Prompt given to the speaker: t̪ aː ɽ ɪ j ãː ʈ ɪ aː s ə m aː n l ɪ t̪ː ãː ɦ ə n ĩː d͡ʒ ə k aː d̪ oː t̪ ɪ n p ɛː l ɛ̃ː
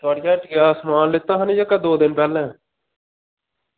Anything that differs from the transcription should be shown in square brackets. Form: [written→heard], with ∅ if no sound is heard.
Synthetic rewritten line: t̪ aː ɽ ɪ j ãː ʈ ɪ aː s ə m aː n l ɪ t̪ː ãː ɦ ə n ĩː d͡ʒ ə k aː d̪ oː [t̪→d̪] ɪ n p ɛː l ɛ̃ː